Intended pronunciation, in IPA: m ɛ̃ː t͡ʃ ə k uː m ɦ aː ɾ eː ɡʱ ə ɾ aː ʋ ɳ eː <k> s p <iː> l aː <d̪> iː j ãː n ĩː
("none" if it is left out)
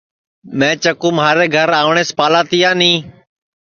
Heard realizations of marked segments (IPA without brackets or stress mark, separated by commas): none, aː, t̪